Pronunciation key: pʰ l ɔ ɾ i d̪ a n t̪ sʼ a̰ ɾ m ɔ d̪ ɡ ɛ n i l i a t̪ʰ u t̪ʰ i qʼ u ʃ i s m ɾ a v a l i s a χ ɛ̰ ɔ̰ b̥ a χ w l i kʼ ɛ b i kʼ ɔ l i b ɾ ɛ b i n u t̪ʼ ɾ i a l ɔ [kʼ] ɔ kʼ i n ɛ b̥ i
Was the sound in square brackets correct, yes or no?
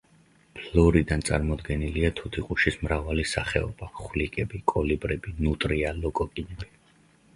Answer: yes